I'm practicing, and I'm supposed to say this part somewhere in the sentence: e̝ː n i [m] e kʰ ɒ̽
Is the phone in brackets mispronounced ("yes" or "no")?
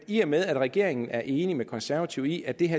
no